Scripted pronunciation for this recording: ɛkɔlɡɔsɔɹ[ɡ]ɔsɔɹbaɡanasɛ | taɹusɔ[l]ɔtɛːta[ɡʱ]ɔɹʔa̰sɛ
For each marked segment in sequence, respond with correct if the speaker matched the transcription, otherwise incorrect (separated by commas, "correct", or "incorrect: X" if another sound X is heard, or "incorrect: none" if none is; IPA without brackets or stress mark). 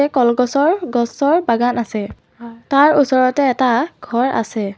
correct, incorrect: ɹ, correct